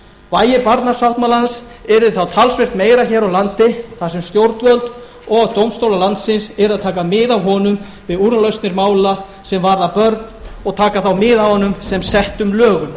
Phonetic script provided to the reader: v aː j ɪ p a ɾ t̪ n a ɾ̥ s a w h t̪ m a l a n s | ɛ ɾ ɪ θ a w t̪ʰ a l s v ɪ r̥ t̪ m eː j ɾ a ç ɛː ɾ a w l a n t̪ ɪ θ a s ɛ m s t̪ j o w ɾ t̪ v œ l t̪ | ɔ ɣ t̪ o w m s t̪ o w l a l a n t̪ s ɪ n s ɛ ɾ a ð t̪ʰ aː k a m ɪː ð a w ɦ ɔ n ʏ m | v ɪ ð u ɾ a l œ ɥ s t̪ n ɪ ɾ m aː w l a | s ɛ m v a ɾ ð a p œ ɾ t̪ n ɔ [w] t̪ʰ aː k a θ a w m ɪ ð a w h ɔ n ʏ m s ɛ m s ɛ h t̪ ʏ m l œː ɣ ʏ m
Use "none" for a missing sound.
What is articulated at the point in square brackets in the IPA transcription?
ɣ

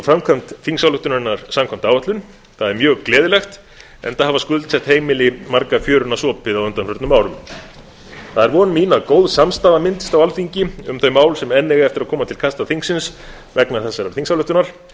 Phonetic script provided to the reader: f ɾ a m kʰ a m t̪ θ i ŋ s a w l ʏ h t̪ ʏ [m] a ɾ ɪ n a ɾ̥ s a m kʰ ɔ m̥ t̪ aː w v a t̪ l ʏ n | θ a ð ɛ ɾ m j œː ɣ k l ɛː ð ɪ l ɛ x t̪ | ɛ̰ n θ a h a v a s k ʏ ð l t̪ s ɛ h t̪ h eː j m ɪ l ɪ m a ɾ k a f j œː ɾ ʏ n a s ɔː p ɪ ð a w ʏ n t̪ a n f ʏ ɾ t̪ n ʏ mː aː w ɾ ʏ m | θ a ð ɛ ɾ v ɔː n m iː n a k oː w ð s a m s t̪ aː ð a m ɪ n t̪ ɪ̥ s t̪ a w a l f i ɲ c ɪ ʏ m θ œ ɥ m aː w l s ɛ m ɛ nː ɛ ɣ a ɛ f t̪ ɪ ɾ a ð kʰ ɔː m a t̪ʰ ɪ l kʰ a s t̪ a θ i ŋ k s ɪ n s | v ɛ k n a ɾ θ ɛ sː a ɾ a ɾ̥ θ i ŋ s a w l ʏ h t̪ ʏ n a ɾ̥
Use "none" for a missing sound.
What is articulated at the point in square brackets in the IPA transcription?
n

